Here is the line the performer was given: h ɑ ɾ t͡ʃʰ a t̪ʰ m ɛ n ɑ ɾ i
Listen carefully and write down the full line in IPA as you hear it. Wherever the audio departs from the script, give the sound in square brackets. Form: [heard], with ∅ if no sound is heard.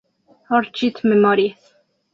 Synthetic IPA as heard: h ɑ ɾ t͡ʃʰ [i] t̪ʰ m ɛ [m] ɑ ɾ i